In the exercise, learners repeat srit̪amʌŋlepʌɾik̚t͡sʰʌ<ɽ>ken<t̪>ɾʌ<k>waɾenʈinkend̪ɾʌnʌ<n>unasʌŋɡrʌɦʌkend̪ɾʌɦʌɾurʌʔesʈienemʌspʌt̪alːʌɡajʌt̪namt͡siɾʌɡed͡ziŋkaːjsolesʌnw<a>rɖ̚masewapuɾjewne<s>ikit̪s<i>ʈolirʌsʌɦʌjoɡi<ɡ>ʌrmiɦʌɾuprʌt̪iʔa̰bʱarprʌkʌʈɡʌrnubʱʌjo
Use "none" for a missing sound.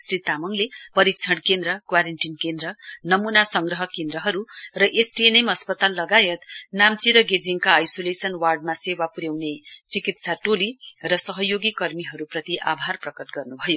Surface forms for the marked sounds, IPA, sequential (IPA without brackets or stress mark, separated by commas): ɽ, d̪, k, m, a, t͡s, a, k